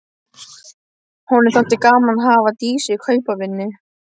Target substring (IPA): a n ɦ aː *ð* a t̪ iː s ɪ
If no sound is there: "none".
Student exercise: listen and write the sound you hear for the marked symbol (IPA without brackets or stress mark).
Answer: v